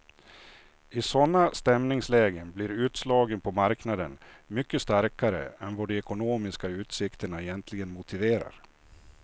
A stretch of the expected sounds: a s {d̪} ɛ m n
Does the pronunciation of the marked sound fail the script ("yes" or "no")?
yes